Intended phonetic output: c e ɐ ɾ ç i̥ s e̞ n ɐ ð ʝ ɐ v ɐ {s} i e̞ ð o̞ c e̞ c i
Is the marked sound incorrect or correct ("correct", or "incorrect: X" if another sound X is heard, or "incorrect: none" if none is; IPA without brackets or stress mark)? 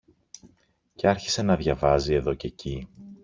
incorrect: z